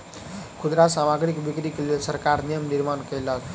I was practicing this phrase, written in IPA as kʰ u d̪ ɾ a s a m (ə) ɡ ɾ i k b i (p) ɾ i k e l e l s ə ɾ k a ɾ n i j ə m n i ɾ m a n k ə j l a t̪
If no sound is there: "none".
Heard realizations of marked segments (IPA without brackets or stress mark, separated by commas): a, k